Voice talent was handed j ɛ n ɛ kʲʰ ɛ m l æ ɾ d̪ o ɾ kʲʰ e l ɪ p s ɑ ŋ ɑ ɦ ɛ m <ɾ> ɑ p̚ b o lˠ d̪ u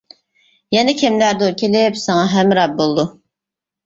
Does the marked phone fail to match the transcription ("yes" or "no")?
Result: no